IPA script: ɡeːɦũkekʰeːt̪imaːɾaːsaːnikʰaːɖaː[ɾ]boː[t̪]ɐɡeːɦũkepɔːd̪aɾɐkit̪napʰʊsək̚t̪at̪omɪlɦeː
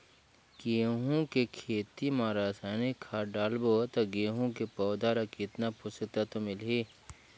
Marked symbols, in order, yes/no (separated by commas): no, yes